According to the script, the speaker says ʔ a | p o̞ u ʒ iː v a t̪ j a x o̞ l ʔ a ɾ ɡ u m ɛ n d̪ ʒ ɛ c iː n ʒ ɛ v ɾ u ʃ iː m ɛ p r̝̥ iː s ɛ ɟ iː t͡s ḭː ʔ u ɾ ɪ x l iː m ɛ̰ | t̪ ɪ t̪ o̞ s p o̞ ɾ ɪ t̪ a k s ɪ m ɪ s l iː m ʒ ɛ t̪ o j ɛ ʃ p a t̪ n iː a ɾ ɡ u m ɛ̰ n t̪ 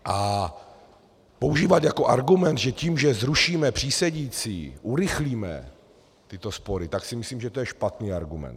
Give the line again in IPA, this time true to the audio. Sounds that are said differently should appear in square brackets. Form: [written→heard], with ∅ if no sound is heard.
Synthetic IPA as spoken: ʔ a | p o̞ u ʒ iː v a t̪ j a [x→k] o̞ [l→∅] ʔ a ɾ ɡ u m ɛ n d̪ ʒ ɛ c iː [n→m] ʒ ɛ [v→z] ɾ u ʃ iː m ɛ p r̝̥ iː s ɛ ɟ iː t͡s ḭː ʔ u ɾ ɪ x l iː m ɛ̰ | t̪ ɪ t̪ o̞ s p o̞ ɾ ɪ t̪ a k s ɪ m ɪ s l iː m ʒ ɛ t̪ o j ɛ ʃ p a t̪ n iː a ɾ ɡ u m ɛ̰ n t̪

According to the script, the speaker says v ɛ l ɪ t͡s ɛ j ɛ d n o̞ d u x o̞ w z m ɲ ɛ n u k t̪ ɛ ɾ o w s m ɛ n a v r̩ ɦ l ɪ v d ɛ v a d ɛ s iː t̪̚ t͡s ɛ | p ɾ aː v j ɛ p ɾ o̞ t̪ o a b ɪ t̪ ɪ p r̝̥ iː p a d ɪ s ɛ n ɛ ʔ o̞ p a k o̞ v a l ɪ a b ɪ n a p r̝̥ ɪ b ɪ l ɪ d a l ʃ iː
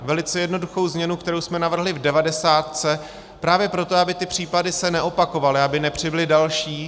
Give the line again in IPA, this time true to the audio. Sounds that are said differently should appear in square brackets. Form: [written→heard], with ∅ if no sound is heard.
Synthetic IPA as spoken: v ɛ l ɪ t͡s ɛ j ɛ d n o̞ d u x o̞ w z m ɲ ɛ n u k t̪ ɛ ɾ o w s m ɛ n a v r̩ ɦ l ɪ v d ɛ v a d ɛ s [iː→aː] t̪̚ t͡s ɛ | p ɾ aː v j ɛ p ɾ o̞ t̪ o a b ɪ t̪ ɪ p r̝̥ iː p a d ɪ s ɛ n ɛ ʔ o̞ p a k o̞ v a l ɪ a b ɪ n [a→ɛ] p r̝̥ ɪ b ɪ l ɪ d a l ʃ iː

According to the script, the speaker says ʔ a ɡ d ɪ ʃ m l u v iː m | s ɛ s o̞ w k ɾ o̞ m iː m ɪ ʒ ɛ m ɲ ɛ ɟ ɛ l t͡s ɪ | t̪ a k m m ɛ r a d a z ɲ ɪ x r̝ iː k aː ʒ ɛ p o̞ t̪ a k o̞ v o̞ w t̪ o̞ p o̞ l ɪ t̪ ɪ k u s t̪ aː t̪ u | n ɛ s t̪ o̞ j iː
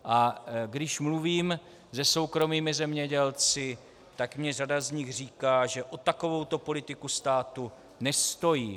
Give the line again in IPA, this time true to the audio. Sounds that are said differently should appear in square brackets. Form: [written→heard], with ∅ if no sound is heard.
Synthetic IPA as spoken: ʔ a ɡ d ɪ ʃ m l u v iː m | [s→z] ɛ s o̞ w k ɾ o̞ m iː m ɪ [ʒ→z] ɛ m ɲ ɛ ɟ ɛ l t͡s ɪ | t̪ a k m [m→ɲ] ɛ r a d a z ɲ ɪ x r̝ iː k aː ʒ ɛ [p→ʔ] o̞ t̪ a k o̞ v o̞ w t̪ o̞ p o̞ l ɪ t̪ ɪ k u s t̪ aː t̪ u | n ɛ s t̪ o̞ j iː

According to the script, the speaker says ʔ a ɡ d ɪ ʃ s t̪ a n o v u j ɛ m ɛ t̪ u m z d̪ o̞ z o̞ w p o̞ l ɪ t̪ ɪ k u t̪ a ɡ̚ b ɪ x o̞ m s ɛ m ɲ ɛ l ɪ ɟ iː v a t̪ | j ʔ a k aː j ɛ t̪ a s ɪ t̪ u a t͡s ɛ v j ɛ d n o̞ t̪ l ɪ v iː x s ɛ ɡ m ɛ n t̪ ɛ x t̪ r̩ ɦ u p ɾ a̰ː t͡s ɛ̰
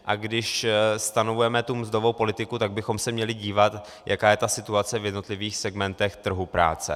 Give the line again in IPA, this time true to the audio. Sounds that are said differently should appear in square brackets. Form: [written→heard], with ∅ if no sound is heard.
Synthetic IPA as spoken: ʔ a ɡ d ɪ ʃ s t̪ a n o v u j ɛ m ɛ t̪ u m z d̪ o̞ [z→v] o̞ w p o̞ l ɪ t̪ ɪ k u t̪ a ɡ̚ b ɪ x o̞ m s ɛ m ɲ ɛ l ɪ ɟ iː v a t̪ | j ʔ a k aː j ɛ t̪ a s ɪ t̪ u a t͡s ɛ v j ɛ d n o̞ t̪ l ɪ v iː x s ɛ ɡ m ɛ n t̪ ɛ x t̪ r̩ ɦ u p ɾ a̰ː t͡s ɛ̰

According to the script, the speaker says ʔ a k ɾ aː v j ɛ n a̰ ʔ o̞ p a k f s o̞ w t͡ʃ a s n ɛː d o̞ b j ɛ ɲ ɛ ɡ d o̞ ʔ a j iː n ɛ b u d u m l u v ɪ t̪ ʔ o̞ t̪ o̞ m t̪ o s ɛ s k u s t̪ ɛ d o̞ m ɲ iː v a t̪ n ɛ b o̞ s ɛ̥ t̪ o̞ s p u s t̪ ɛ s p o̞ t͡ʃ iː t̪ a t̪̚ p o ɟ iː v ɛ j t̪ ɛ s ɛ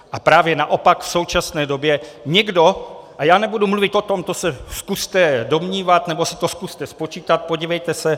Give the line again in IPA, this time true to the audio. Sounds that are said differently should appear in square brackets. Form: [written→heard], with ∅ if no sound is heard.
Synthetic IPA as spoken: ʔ a [k→p] ɾ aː v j ɛ n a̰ ʔ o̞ p a k f s o̞ w t͡ʃ a s n ɛː d o̞ b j ɛ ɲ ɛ ɡ d o̞ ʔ a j [iː→aː] n ɛ b u d u m l u v ɪ t̪ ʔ o̞ t̪ o̞ m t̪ o s ɛ s k u s t̪ ɛ d o̞ m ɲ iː v a t̪ n ɛ b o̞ s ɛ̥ t̪ o̞ s [p→k] u s t̪ ɛ s p o̞ t͡ʃ iː t̪ a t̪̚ p o ɟ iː v ɛ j t̪ ɛ s ɛ

